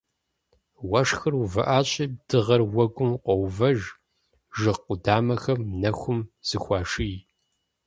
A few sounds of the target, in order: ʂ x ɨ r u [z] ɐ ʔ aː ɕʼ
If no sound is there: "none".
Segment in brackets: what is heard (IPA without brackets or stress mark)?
v